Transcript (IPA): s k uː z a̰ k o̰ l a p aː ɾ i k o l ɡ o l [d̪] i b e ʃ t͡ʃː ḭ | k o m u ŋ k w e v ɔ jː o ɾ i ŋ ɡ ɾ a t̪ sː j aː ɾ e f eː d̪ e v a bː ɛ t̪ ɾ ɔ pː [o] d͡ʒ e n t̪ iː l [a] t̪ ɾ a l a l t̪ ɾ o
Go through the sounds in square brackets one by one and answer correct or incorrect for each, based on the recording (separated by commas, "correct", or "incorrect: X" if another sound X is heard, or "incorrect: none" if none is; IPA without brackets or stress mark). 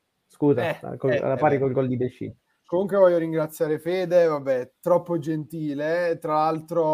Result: correct, correct, incorrect: e